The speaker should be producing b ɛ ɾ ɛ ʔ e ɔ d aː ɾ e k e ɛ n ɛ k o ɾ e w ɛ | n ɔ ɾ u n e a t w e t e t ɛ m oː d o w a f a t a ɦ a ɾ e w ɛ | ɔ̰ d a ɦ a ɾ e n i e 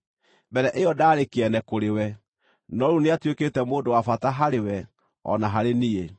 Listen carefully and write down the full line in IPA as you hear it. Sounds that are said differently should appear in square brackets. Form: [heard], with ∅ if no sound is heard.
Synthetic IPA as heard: b ɛ ɾ ɛ ʔ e ɔ d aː ɾ e k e ɛ n ɛ k o ɾ e w ɛ | n ɔ ɾ u n e a t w e [k] e t ɛ m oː d o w a f a t a ɦ a ɾ e w ɛ | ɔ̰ [n] a ɦ a ɾ e n i e